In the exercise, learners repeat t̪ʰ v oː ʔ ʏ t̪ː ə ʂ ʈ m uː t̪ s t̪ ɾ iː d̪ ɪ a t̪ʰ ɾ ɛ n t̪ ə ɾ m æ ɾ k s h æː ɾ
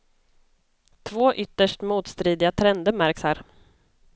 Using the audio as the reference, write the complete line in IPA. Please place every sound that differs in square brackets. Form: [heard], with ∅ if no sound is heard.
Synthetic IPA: t̪ʰ v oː ʔ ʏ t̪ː ə ʂ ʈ m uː t̪ s t̪ ɾ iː d̪ ɪ a t̪ʰ ɾ ɛ n [d̪] ə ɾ m æ ɾ k s h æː ɾ